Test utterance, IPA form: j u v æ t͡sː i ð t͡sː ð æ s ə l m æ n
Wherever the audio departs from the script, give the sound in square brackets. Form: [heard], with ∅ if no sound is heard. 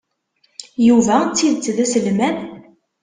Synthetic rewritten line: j u v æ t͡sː i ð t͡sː ð æ s ə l m æ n